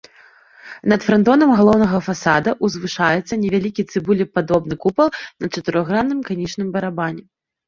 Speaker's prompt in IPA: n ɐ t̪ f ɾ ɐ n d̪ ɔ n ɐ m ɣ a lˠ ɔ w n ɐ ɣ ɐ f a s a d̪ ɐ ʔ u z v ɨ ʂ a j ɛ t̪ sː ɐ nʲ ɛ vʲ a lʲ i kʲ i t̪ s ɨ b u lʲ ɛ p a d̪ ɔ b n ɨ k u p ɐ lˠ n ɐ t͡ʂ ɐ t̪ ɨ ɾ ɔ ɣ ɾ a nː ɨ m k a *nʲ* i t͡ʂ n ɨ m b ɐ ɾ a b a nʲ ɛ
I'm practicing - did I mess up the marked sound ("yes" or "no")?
no